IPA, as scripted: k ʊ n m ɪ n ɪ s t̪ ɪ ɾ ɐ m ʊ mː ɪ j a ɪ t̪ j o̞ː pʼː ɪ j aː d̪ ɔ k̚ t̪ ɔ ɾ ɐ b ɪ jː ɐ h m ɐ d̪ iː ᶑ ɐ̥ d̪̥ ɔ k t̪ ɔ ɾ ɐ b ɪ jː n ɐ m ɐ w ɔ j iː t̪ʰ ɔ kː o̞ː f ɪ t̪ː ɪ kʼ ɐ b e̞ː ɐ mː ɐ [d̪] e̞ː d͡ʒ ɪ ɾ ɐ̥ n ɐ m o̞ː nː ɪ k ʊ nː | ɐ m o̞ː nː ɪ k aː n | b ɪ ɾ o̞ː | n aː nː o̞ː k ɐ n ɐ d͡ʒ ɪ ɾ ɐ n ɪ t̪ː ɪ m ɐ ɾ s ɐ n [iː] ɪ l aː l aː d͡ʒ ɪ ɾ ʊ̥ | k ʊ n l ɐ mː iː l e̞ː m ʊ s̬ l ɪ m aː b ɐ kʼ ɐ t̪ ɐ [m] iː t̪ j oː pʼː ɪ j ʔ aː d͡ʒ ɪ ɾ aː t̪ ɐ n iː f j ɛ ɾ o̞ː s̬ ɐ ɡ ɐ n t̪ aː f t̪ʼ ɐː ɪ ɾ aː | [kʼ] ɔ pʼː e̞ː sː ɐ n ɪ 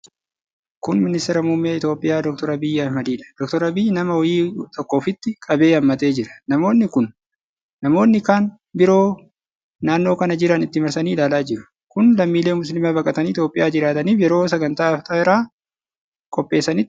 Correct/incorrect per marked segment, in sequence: incorrect: t̪, correct, incorrect: n, correct

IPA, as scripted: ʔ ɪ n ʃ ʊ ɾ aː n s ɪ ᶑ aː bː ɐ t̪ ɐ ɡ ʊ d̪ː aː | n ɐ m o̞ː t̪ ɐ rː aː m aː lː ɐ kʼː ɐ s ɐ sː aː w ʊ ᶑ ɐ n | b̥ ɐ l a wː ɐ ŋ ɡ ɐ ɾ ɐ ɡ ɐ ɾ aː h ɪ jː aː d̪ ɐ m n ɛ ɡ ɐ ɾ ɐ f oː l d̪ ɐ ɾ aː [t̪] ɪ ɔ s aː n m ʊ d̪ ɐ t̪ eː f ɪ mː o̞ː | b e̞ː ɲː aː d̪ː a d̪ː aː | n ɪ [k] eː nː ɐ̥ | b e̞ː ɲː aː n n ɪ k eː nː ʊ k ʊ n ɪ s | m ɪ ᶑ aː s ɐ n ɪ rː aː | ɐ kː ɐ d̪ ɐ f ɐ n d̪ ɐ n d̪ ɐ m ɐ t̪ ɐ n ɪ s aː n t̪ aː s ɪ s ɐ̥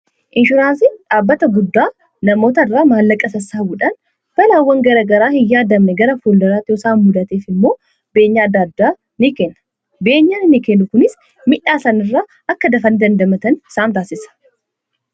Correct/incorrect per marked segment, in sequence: correct, correct

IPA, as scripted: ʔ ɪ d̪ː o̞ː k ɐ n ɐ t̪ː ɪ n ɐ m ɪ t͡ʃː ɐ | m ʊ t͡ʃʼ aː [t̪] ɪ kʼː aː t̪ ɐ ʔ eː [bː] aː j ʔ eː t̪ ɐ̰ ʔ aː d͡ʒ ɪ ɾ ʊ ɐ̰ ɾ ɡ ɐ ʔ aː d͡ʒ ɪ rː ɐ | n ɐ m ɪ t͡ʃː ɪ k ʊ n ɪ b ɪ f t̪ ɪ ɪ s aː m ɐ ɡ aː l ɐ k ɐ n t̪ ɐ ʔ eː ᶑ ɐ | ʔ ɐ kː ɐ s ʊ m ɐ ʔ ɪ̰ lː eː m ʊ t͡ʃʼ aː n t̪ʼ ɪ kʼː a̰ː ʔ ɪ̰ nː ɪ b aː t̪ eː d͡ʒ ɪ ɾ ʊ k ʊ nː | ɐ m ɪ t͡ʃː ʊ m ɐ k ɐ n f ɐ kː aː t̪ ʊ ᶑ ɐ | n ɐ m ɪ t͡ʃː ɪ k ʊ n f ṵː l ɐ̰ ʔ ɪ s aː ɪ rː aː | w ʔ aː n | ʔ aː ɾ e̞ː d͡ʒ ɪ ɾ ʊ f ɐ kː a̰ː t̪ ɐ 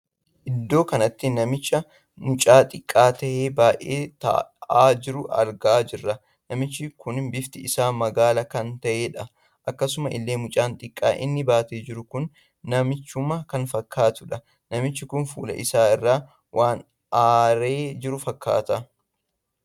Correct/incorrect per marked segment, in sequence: incorrect: t̪ʼ, incorrect: b

